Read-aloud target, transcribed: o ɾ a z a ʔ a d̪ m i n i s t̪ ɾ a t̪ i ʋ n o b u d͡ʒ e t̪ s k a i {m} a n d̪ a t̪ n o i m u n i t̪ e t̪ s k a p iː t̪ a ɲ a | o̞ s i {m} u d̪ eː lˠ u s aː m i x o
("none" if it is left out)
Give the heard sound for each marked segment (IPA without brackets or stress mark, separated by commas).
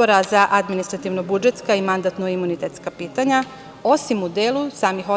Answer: m, m